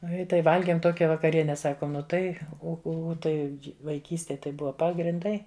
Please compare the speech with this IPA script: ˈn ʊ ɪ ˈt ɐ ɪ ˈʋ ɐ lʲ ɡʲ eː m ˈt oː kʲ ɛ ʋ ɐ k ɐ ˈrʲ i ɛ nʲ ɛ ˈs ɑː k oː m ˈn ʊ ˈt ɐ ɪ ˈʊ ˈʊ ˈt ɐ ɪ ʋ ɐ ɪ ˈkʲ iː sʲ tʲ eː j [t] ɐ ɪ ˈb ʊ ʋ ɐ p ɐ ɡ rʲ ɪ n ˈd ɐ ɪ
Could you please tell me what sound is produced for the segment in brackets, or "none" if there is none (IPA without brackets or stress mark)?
t